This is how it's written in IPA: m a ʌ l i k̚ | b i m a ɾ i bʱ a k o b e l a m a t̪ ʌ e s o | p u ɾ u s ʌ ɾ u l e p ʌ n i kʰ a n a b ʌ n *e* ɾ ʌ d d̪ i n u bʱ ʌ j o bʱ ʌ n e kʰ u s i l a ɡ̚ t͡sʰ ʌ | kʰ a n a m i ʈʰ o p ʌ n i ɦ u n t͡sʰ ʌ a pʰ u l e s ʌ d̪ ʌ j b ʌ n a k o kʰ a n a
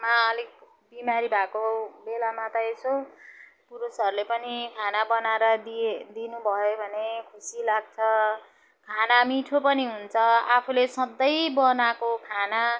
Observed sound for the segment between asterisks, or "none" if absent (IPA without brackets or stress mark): a